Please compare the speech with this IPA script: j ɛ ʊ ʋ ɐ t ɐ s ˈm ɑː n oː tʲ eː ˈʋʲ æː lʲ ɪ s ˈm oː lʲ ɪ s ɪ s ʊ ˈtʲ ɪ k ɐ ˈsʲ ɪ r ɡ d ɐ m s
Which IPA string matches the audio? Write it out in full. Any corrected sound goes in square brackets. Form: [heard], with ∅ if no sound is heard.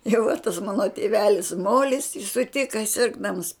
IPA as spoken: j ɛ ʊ ʋ ɐ t ɐ s ˈm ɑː n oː tʲ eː ˈʋʲ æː lʲ ɪ s ˈm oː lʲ ɪ s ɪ s ʊ ˈtʲ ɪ k ɐ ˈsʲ ɪ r ɡ d ɐ m s

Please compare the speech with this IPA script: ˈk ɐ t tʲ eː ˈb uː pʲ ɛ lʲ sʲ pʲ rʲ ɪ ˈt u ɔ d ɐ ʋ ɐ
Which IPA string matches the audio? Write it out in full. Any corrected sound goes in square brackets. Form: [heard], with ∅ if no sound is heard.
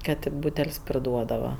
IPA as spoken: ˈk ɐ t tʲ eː ˈb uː [tʲ] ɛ lʲ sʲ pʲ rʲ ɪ [ˈd] u ɔ d ɐ ʋ ɐ

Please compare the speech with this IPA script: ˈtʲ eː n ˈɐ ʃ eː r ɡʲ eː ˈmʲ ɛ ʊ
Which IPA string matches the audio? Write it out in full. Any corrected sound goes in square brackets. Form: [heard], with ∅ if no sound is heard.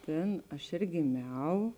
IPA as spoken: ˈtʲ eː n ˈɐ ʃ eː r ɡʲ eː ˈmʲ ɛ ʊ

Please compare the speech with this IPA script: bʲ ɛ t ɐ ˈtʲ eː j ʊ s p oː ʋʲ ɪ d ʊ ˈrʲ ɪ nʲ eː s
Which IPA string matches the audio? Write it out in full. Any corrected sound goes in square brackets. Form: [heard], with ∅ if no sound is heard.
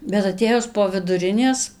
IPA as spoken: bʲ ɛ t ɐ ˈtʲ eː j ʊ s p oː ʋʲ ɪ d ʊ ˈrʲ ɪ nʲ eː s

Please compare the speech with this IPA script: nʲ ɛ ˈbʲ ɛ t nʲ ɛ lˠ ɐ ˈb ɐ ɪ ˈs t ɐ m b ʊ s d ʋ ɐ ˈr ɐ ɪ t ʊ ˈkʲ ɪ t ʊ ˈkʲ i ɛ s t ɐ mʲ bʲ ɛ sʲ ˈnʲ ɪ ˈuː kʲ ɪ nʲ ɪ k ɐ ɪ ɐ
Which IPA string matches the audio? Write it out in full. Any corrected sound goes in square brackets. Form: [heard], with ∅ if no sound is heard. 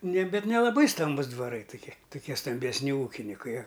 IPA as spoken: nʲ ɛ ˈbʲ ɛ t nʲ ɛ lˠ ɐ ˈb ɐ ɪ ˈs t ɐ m b ʊ s d ʋ ɐ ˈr ɐ ɪ t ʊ ˈkʲ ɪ t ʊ ˈkʲ i ɛ s t ɐ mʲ bʲ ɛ sʲ ˈnʲ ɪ ˈuː kʲ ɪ nʲ ɪ k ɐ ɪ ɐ

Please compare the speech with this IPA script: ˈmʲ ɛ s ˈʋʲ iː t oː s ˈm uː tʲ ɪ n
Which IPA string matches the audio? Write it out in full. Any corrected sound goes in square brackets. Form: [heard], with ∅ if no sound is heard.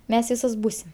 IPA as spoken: ˈmʲ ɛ s ˈʋʲ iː [s] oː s [ˈb] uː [sʲ] ɪ [m]

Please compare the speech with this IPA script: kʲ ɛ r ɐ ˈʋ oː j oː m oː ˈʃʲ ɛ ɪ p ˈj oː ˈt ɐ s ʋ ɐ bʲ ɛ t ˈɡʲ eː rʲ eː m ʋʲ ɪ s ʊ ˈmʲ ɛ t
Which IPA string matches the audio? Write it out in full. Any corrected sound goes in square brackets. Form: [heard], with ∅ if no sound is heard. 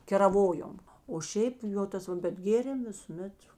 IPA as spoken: kʲ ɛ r ɐ ˈʋ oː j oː m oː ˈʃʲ ɛ ɪ p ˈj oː ˈt ɐ s ʋ ɐ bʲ ɛ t ˈɡʲ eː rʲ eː m ʋʲ ɪ s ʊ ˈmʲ ɛ t

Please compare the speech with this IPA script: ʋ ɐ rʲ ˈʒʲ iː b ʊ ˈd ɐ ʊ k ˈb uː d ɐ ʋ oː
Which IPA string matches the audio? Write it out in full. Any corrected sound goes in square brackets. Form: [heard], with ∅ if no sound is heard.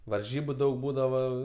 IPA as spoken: ʋ ɐ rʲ ˈʒʲ iː b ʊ ˈd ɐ ʊ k ˈb uː d ɐ ʋ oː

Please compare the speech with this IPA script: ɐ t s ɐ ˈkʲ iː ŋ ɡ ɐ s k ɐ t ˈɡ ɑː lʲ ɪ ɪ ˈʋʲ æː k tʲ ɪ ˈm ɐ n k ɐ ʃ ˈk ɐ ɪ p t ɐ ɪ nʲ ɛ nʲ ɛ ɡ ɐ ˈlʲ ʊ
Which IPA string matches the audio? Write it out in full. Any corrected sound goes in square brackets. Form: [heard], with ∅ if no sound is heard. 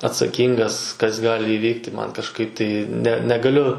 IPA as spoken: ɐ t s ɐ ˈkʲ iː ŋ ɡ ɐ s k ɐ [s] ˈɡ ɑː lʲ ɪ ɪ ˈʋʲ [iː] k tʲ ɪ ˈm ɐ n k ɐ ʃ ˈk ɐ ɪ p t ɐ ɪ nʲ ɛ nʲ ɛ ɡ ɐ ˈlʲ ʊ

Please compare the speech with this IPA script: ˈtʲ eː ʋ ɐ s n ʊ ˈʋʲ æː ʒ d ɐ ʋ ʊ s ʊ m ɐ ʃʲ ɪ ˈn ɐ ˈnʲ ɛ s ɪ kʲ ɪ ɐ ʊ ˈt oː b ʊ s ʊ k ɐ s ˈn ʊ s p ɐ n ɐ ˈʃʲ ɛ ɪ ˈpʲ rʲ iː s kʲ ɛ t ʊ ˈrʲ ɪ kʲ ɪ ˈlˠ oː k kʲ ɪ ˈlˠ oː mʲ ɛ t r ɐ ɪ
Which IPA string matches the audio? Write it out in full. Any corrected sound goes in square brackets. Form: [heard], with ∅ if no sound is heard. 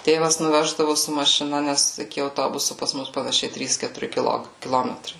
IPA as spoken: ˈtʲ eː ʋ ɐ s n ʊ ˈʋʲ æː ʒ d ɐ ʋ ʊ s ʊ m ɐ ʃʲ ɪ ˈn ɐ ˈnʲ ɛ s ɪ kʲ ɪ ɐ ʊ ˈt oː b ʊ s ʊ [p] ɐ s [ˈm] ʊ s p ɐ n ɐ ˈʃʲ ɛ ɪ [ˈtʲ] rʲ iː s kʲ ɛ t ʊ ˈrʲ ɪ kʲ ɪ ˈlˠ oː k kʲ ɪ ˈlˠ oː mʲ ɛ t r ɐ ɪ

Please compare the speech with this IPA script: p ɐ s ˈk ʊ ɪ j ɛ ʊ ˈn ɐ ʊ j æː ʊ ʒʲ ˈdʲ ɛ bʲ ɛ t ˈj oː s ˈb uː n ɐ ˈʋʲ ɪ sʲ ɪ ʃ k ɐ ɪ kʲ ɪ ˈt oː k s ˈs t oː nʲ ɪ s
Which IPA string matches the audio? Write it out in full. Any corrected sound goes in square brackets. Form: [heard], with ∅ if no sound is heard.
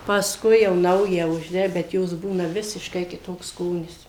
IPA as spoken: p ɐ s ˈk ʊ ɪ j ɛ ʊ ˈn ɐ ʊ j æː ʊ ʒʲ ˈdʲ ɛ bʲ ɛ t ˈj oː s ˈb uː n ɐ ˈʋʲ ɪ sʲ ɪ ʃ k ɐ ɪ kʲ ɪ ˈt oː k s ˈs [k] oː nʲ ɪ s

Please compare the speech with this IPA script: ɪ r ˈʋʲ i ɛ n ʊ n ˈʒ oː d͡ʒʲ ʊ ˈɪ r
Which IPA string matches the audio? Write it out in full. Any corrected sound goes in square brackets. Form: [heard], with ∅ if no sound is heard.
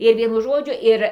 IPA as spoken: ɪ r ˈʋʲ i ɛ n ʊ [∅] ˈʒ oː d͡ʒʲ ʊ ˈɪ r

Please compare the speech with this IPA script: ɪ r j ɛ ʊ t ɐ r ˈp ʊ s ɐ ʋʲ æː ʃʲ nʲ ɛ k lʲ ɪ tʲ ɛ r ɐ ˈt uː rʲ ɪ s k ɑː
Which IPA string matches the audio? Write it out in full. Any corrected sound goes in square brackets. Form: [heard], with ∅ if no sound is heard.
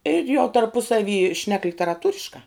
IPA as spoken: ɪ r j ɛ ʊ t ɐ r ˈp ʊ s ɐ ʋʲ [iː] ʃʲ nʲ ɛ k lʲ ɪ tʲ ɛ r ɐ ˈt uː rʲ ɪ [ʃ] k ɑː

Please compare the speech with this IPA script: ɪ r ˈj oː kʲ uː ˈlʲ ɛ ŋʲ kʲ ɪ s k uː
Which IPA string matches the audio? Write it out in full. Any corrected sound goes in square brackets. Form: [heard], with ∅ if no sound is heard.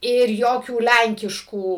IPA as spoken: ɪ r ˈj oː kʲ uː ˈlʲ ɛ ŋʲ kʲ ɪ [ʃ] k uː

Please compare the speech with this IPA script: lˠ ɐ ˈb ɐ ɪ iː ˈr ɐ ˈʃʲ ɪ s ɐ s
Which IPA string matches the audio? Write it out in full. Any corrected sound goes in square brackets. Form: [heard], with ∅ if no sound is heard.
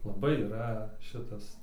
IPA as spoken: lˠ ɐ ˈb ɐ ɪ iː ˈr ɐ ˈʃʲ ɪ [t] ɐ s

